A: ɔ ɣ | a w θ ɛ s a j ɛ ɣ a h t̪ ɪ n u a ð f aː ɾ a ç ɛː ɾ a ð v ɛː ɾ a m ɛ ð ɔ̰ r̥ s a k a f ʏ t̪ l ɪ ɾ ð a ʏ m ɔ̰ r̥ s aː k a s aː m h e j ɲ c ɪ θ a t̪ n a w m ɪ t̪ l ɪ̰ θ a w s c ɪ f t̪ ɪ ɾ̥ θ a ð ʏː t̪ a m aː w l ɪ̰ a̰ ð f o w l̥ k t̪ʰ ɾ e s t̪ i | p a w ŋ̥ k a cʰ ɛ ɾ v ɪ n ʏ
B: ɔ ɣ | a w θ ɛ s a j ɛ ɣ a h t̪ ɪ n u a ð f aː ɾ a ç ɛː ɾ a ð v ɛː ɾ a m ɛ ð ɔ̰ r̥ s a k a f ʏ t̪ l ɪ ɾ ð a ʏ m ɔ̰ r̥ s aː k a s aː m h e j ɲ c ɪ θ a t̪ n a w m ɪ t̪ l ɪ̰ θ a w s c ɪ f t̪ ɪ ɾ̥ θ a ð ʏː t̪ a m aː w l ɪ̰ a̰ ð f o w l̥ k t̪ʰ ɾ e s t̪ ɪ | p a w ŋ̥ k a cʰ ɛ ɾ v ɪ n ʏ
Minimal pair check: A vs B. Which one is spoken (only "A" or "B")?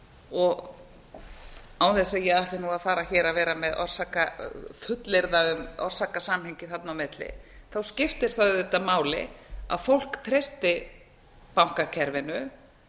B